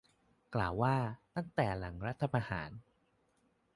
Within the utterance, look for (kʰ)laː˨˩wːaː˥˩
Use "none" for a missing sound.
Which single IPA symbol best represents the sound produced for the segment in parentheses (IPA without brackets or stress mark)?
k